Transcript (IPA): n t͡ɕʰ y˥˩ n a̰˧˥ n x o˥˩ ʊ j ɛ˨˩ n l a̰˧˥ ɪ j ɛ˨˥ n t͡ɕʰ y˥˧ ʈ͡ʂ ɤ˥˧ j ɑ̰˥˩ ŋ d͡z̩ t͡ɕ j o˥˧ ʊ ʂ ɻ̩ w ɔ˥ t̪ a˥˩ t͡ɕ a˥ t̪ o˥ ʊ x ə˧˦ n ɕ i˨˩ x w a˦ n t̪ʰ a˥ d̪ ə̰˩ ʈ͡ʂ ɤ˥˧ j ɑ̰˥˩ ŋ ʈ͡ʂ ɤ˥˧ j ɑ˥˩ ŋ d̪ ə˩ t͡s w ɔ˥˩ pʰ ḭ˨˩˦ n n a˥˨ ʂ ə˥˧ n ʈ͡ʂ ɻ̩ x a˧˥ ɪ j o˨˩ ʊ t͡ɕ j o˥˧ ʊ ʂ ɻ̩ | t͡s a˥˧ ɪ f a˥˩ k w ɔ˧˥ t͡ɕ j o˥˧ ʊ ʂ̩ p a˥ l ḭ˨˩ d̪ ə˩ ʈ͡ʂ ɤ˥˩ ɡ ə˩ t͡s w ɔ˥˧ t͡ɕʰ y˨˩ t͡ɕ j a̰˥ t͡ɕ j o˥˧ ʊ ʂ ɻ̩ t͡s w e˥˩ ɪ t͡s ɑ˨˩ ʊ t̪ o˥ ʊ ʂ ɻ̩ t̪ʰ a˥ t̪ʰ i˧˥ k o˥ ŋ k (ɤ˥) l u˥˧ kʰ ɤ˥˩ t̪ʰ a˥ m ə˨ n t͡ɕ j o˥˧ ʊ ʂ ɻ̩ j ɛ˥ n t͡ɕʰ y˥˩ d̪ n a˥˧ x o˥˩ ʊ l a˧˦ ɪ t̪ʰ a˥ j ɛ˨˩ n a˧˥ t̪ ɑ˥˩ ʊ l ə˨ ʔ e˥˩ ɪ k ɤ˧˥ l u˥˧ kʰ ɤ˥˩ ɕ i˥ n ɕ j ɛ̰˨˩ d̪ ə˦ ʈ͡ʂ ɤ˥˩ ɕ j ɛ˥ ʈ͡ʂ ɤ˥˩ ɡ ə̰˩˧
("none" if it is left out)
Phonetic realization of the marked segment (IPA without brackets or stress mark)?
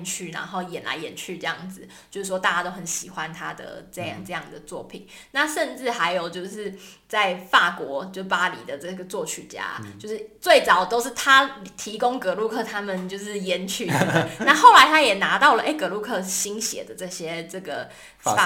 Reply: ɤ˧˥